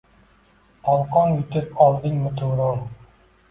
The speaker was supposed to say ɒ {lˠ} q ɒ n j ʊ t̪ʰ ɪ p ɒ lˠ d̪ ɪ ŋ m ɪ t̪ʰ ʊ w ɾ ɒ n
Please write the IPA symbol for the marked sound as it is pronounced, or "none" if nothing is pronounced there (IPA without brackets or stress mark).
lˠ